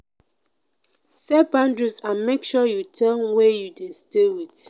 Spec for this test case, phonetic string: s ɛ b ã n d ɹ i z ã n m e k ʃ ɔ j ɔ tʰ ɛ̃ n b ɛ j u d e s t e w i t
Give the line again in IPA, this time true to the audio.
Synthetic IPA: s ɛ b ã n d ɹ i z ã n m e k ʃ ɔ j u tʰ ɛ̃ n w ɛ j u d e s t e w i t